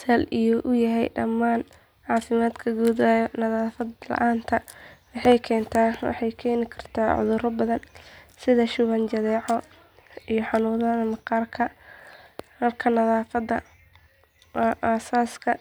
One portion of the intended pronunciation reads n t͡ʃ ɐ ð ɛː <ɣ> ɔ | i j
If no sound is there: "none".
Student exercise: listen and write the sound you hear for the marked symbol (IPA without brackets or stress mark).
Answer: ʕ